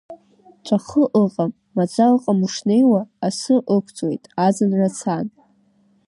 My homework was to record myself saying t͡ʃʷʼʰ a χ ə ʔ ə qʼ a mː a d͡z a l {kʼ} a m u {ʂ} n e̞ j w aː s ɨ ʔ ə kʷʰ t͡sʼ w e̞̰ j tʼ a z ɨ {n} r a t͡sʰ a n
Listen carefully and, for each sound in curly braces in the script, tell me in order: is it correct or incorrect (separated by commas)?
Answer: incorrect, correct, correct